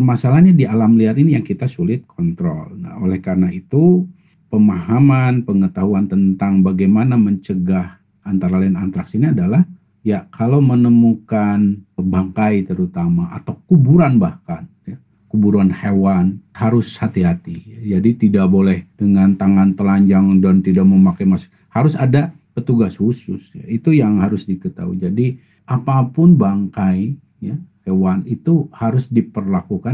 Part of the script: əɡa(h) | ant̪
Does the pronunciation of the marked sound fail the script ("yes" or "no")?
no